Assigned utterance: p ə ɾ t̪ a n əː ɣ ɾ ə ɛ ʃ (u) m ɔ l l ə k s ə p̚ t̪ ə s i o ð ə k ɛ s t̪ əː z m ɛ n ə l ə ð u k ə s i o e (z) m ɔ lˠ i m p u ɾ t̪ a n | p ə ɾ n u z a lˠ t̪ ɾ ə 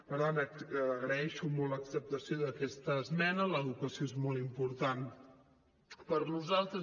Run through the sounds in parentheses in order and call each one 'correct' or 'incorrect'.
correct, correct

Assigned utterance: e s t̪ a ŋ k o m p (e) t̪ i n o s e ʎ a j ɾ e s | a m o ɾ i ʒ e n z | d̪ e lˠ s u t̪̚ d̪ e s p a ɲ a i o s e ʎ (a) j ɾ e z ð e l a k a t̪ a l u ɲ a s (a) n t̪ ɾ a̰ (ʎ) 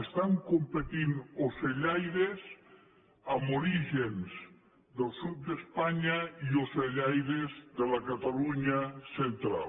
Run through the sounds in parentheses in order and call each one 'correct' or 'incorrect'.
correct, correct, incorrect, incorrect

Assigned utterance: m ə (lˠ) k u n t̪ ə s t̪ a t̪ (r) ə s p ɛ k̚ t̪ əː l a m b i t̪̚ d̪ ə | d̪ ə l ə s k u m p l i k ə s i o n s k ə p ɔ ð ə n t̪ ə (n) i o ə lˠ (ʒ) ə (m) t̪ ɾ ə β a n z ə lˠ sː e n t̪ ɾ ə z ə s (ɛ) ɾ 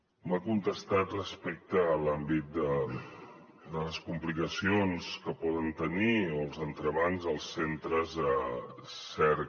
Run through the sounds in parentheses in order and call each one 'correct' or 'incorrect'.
incorrect, correct, correct, incorrect, incorrect, correct

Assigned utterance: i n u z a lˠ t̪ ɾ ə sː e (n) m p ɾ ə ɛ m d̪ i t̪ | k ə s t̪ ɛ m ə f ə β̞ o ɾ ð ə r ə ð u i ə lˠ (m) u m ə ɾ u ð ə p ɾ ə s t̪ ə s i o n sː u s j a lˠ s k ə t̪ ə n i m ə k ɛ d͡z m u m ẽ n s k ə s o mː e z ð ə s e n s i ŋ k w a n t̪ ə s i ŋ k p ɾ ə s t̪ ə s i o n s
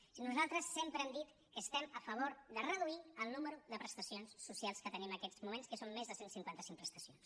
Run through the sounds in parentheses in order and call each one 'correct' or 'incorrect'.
incorrect, incorrect

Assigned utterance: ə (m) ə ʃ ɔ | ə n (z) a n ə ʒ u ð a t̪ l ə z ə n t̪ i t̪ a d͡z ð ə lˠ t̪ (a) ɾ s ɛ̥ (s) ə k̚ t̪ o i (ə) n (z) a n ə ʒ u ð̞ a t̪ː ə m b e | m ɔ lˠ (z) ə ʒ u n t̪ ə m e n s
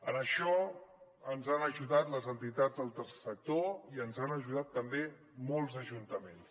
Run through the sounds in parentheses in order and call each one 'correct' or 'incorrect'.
incorrect, correct, incorrect, correct, correct, correct, correct

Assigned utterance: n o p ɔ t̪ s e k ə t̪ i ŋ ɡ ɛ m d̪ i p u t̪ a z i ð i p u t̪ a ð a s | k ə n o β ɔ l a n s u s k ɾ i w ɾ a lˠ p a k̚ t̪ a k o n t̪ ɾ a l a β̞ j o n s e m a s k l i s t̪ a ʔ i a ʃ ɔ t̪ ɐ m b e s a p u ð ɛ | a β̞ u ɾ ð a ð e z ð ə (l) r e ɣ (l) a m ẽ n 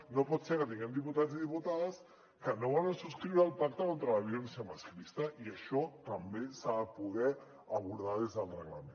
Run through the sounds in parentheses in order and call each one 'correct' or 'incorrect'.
correct, correct

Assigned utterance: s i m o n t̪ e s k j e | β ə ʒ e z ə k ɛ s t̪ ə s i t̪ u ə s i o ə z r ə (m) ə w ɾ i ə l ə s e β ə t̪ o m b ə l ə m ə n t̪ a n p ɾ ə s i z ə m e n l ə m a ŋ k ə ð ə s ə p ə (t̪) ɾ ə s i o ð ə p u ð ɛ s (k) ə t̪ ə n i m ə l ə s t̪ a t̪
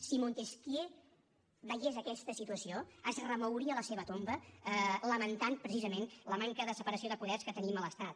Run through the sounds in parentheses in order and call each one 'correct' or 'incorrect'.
correct, incorrect, correct

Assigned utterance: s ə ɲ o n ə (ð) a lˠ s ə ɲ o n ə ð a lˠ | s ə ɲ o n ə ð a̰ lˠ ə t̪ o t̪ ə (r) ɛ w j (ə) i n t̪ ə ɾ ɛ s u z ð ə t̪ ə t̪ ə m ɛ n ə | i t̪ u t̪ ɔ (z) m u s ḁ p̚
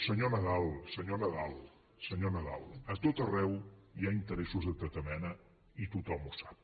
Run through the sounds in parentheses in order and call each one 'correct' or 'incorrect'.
correct, correct, incorrect, incorrect

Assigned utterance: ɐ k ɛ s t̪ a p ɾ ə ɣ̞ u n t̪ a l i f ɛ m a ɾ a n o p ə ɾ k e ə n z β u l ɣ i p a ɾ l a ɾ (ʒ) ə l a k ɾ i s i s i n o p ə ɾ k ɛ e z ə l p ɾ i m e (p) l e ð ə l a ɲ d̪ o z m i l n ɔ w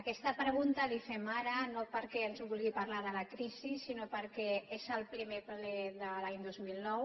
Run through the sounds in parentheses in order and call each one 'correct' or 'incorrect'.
incorrect, correct

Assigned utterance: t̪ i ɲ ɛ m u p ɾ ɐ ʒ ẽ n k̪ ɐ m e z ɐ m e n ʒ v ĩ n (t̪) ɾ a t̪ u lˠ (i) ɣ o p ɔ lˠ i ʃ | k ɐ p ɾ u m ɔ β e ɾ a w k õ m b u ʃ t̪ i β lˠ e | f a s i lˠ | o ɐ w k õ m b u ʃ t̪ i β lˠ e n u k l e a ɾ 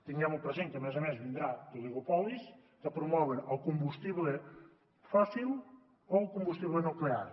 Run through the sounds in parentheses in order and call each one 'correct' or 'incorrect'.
incorrect, correct

